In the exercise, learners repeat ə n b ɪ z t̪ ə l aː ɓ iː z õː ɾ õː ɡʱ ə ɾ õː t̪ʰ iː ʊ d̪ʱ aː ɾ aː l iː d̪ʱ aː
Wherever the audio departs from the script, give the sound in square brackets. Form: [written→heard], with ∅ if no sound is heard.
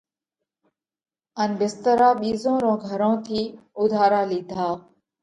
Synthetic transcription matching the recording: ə n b ɪ [z→s] t̪ ə [l→ɾ] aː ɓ iː z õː ɾ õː ɡʱ ə ɾ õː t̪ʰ iː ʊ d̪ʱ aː ɾ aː l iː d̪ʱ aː